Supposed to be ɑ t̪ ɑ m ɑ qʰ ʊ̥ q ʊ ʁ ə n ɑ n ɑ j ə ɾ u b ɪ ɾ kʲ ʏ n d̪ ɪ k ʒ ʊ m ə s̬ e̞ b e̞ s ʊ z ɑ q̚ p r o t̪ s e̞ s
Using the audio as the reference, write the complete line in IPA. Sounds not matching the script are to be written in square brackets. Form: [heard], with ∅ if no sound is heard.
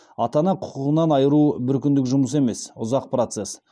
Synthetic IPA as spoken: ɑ t̪ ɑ [n] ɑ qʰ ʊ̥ q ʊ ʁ ə n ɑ n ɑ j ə ɾ u b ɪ ɾ kʲ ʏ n d̪ ɪ k ʒ ʊ m ə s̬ e̞ [m] e̞ s ʊ z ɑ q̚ p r o t̪ s e̞ s